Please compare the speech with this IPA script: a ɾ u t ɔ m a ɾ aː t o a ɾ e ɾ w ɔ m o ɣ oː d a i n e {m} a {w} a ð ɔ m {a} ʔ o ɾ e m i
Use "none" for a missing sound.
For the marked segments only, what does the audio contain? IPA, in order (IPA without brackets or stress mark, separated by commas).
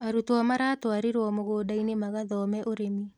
m, ɣ, ɛ